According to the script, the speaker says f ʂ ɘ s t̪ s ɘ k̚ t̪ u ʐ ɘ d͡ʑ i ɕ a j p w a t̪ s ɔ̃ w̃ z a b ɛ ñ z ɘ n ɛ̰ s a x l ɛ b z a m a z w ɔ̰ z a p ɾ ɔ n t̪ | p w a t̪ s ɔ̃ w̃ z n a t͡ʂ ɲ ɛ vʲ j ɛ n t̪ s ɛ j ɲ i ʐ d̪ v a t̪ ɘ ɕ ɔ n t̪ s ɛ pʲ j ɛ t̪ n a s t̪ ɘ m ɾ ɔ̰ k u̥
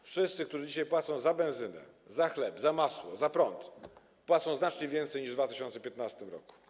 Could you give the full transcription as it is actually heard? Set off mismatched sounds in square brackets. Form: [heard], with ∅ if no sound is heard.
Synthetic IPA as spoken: f ʂ ɘ s t̪ s ɘ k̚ t̪ u ʐ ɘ d͡ʑ i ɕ a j p w a t̪ s ɔ̃ w̃ z a b ɛ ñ z ɘ n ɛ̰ [z] a x l ɛ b z a m a [s] w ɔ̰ z a p ɾ ɔ n t̪ | p w a t̪ s ɔ̃ w̃ z n a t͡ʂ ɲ ɛ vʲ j ɛ n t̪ s ɛ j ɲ i ʐ d̪ v a t̪ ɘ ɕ ɔ n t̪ s ɛ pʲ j ɛ t̪ n a s t̪ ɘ m ɾ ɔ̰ k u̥